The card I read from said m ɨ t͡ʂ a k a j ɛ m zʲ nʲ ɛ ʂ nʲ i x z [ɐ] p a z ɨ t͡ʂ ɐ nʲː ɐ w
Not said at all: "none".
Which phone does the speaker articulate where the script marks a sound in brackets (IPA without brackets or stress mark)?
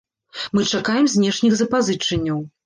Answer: ɐ